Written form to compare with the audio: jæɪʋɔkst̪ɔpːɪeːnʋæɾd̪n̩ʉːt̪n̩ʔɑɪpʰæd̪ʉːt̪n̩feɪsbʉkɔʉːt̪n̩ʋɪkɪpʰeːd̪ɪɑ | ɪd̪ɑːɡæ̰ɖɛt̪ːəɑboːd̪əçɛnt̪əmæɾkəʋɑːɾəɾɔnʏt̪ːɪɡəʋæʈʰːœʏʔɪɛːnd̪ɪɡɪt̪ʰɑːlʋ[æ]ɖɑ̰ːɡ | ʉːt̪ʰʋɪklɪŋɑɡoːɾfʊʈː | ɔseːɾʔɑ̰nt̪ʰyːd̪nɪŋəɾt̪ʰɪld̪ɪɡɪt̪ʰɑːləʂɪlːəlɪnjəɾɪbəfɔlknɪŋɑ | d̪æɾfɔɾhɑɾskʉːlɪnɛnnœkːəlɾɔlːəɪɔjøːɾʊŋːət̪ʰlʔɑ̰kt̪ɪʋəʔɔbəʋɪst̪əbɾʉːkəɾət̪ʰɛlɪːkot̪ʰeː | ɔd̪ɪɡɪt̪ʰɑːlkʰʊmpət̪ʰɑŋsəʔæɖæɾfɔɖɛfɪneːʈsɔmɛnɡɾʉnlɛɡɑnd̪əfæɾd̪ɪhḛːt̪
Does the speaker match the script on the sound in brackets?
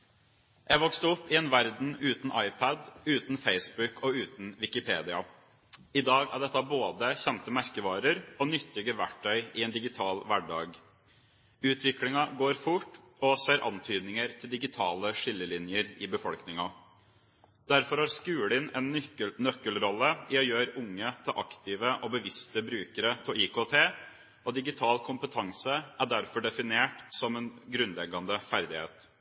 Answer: yes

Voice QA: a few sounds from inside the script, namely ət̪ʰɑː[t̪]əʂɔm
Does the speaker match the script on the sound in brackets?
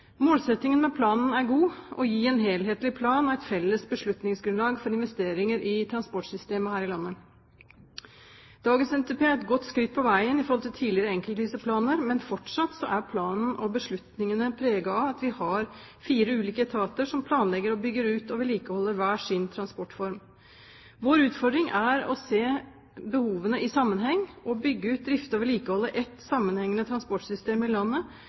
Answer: yes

